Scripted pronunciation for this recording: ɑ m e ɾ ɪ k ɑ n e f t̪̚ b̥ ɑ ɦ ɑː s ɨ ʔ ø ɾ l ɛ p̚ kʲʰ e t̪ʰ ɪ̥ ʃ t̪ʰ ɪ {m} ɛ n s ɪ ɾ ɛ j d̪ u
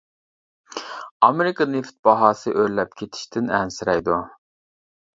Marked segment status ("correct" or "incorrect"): incorrect